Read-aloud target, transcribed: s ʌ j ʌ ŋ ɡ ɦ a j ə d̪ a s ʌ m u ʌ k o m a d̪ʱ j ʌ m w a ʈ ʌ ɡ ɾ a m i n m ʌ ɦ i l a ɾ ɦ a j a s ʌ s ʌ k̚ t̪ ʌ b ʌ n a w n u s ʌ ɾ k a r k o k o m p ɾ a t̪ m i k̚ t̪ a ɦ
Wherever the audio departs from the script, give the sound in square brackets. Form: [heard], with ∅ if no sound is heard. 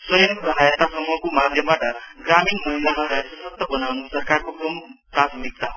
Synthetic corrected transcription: s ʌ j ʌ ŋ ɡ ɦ a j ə [t̪] a s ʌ m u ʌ k o m a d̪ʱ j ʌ m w a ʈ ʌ ɡ ɾ a m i n m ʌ ɦ i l a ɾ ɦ a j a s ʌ s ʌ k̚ t̪ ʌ b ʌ n a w n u s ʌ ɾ k a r k o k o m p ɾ a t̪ m i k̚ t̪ a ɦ